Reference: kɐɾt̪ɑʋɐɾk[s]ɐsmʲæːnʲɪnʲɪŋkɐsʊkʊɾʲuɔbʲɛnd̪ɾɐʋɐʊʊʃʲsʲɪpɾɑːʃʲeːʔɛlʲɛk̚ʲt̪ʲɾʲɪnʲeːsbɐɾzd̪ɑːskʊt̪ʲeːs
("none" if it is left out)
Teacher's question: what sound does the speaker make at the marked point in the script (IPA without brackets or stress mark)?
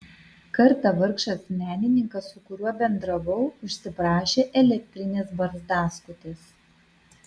ʃ